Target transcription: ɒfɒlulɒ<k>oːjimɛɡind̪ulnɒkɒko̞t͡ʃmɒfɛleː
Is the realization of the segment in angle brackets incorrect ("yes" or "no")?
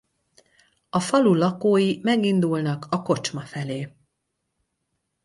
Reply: no